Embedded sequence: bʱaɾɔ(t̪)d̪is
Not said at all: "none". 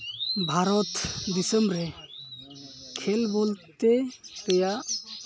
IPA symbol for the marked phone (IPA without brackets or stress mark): t̪